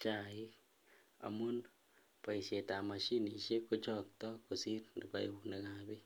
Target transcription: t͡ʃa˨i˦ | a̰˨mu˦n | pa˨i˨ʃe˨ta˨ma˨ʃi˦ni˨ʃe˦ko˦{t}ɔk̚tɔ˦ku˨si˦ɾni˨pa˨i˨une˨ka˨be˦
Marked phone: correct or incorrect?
incorrect